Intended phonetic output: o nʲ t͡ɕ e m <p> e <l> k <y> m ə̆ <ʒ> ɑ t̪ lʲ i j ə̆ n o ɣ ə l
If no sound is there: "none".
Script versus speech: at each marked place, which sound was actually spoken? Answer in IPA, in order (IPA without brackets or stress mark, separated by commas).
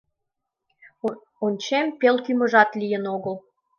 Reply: p, l, y, ʒ